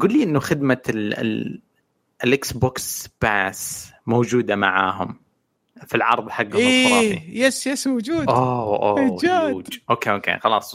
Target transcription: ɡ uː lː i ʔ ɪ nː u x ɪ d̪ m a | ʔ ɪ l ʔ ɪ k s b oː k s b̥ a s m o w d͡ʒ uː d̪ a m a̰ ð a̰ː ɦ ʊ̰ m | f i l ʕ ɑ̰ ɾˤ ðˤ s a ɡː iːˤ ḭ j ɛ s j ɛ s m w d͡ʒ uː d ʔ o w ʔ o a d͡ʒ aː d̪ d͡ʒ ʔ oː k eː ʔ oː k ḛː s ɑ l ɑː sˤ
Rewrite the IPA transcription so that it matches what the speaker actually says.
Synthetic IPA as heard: ɡ uː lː i ʔ ɪ nː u x ɪ d̪ m a | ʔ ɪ l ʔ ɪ k s b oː k s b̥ a s m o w d͡ʒ uː d̪ a m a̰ ʕ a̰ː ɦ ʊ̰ m | f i l ʕ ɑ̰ ɾˤ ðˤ ħ a ɡː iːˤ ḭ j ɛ s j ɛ s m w d͡ʒ uː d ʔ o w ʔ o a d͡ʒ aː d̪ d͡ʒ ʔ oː k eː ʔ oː k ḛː x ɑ l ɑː sˤ